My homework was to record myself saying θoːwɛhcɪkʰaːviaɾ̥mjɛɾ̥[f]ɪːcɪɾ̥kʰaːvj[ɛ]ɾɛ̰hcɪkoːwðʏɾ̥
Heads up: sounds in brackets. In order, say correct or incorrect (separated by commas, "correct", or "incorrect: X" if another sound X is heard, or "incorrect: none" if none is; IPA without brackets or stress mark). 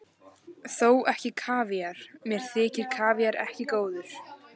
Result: incorrect: θ, incorrect: a